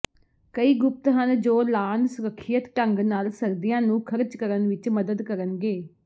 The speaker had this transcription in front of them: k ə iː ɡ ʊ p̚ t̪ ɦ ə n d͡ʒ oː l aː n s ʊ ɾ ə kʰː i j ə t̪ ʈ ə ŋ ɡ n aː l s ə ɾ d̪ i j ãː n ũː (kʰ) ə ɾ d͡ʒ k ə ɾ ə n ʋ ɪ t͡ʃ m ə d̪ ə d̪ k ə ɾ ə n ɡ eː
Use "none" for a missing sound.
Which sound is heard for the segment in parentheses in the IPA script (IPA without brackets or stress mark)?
kʰ